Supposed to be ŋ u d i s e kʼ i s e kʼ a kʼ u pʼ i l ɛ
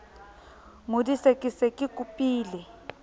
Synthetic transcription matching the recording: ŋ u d i s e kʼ i s e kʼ i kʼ u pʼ iː l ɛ